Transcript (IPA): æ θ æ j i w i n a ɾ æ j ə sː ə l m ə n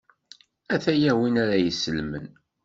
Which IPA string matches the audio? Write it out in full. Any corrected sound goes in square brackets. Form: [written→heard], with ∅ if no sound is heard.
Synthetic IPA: æ θ æ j [i→æ] w i n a ɾ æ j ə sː ə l m ə n